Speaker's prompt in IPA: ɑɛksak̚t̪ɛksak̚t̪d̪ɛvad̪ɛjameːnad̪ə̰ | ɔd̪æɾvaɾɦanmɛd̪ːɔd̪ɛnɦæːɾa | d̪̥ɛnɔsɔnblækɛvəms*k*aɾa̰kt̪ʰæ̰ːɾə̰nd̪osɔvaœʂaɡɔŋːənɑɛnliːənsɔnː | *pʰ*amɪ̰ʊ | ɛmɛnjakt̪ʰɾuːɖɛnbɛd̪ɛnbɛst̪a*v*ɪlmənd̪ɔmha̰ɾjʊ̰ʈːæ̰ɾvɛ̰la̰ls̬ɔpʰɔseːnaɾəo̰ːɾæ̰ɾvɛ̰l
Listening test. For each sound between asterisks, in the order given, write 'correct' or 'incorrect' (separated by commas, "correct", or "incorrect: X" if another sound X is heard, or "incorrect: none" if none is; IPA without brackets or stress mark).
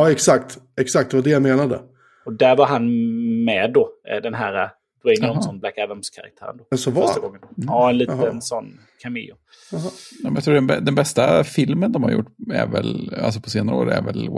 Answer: incorrect: kʰ, incorrect: kʰ, incorrect: f